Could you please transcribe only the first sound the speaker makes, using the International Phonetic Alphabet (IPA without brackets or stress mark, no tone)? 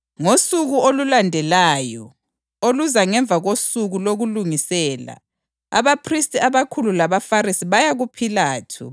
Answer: ŋ